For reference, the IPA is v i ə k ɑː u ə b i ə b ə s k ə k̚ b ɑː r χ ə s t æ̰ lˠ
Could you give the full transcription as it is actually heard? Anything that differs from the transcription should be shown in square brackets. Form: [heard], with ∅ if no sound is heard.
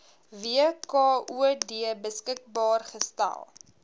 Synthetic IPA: v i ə k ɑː u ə [d] i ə b ə s k ə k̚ b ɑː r χ ə s t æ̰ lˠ